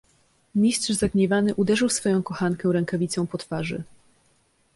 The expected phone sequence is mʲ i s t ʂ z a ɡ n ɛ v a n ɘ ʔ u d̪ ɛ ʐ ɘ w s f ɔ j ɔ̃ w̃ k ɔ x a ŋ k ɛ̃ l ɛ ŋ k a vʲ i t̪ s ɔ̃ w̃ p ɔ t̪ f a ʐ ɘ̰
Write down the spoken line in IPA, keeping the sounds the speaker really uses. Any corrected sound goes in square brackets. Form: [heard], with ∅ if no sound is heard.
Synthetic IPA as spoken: mʲ i s t ʂ z a ɡ [ɲ] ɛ v a n ɘ ʔ u d̪ ɛ ʐ ɘ w s f ɔ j ɔ̃ w̃ k ɔ x a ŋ k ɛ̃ [ɾ] ɛ ŋ k a vʲ i t̪ s ɔ̃ w̃ p ɔ t̪ f a ʐ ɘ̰

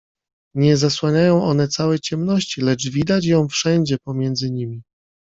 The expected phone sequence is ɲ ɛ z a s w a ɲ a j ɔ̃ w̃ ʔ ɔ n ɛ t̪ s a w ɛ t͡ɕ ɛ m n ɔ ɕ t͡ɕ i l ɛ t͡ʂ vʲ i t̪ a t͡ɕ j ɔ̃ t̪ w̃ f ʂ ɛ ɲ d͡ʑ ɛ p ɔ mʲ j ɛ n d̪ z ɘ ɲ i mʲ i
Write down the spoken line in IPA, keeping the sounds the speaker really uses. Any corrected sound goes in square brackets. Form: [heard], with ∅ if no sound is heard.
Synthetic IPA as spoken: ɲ ɛ z a s w a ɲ a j ɔ̃ w̃ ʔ ɔ n ɛ t̪ s a w ɛ t͡ɕ ɛ m n ɔ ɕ t͡ɕ i l ɛ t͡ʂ vʲ i [d̪] a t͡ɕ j ɔ̃ [∅] w̃ f ʂ ɛ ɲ d͡ʑ ɛ p ɔ mʲ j ɛ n d̪ z ɘ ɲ i mʲ i

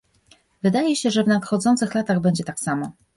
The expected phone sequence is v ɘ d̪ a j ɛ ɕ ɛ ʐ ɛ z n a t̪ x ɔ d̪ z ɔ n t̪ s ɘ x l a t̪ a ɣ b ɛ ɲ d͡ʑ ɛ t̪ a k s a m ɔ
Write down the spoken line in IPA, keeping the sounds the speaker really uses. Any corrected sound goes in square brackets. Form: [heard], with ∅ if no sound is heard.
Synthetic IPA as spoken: v ɘ d̪ a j ɛ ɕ ɛ ʐ ɛ [v] n a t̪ x ɔ d̪ z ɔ n t̪ s ɘ x l a t̪ a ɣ b ɛ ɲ d͡ʑ ɛ t̪ a k s a m ɔ

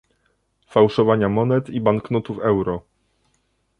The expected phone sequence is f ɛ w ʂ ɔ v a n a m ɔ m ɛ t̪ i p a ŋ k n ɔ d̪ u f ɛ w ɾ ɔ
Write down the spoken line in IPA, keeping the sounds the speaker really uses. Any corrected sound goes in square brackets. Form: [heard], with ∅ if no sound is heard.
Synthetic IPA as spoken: f [a] w ʂ ɔ v a [ɲ] a m ɔ [n] ɛ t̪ i [b] a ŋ k n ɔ [t̪] u f ɛ w ɾ ɔ

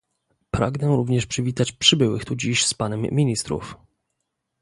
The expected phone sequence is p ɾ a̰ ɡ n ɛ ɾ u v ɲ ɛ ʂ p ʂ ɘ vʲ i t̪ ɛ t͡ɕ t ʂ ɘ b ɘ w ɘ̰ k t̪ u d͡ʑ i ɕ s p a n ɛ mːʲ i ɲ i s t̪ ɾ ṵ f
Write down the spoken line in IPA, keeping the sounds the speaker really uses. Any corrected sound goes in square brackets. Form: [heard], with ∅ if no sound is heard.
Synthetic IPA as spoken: p ɾ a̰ ɡ n ɛ ɾ u v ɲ ɛ ʂ p ʂ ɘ vʲ i t̪ [a] t͡ɕ [p] ʂ ɘ b ɘ w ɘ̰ [x] t̪ u d͡ʑ i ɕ s p a n ɛ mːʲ i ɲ i s t̪ ɾ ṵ f

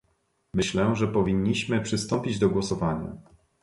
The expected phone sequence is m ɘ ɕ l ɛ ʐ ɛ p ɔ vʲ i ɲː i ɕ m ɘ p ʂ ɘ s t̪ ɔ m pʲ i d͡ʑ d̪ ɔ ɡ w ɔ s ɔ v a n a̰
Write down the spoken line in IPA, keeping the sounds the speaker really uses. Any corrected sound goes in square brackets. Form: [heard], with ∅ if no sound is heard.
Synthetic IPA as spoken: m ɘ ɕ l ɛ ʐ ɛ p ɔ vʲ i ɲː i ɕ m ɘ p ʂ ɘ s t̪ ɔ m pʲ i d͡ʑ d̪ ɔ ɡ w ɔ s ɔ v a [ɲ] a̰

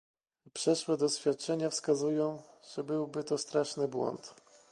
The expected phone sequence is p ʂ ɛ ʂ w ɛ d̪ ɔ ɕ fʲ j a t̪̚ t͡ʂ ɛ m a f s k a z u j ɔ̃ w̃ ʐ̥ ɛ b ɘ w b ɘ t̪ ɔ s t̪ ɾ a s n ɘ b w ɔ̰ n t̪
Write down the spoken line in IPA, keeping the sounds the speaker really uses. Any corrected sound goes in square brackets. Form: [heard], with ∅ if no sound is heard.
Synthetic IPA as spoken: p ʂ ɛ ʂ w ɛ d̪ ɔ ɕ fʲ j a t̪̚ t͡ʂ ɛ [ɲ] a f s k a z u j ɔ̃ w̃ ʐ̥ ɛ b ɘ w b ɘ t̪ ɔ s t̪ ɾ a [ʂ] n ɘ b w ɔ̰ n t̪

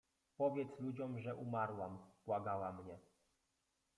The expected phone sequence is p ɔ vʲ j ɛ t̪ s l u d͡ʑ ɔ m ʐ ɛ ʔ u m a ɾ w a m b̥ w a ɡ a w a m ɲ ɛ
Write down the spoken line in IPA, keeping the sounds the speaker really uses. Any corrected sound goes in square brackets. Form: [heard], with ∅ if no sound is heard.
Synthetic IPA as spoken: p ɔ vʲ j ɛ t̪ s l u d͡ʑ ɔ m ʐ ɛ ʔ u m a ɾ w a m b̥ w a ɡ a w a m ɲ ɛ

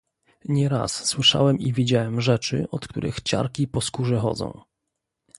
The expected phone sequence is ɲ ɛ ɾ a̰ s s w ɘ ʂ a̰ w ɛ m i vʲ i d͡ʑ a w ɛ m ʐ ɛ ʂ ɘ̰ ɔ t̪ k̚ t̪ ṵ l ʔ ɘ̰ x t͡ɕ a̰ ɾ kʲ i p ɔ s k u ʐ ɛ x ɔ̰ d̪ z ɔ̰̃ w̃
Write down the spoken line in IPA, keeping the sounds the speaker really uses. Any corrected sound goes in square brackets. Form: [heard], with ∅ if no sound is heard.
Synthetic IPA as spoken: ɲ ɛ ɾ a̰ s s w ɘ ʂ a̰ w ɛ m i vʲ i d͡ʑ a w ɛ m ʐ ɛ [t͡ʂ] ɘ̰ ɔ t̪ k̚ t̪ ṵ [ɾ] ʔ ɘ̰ x t͡ɕ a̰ ɾ kʲ i p ɔ s k u ʐ ɛ x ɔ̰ d̪ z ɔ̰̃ w̃

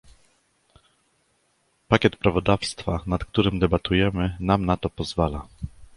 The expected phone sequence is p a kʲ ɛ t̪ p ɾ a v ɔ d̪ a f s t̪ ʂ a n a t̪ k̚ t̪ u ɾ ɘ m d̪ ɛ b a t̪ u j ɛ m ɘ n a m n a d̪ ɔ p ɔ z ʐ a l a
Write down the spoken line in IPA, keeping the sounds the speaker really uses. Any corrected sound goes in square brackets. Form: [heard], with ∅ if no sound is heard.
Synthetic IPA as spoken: p a kʲ ɛ t̪ p ɾ a v ɔ d̪ a f s t̪ [f] a n a t̪ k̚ t̪ u ɾ ɘ m d̪ ɛ b a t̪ u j ɛ m ɘ n a m n a [t̪] ɔ p ɔ z [v] a l a

